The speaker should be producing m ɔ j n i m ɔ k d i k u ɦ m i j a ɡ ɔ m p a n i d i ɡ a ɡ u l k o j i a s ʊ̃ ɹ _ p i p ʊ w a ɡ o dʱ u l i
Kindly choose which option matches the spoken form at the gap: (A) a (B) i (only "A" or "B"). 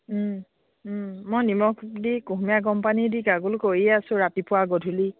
A